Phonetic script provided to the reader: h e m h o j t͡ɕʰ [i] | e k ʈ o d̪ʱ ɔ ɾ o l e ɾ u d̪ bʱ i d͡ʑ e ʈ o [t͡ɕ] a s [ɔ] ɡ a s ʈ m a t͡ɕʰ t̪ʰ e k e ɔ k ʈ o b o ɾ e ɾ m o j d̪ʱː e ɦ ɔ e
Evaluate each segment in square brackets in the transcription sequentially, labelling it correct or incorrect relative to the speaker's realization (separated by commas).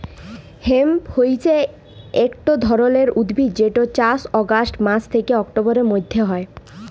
incorrect, correct, correct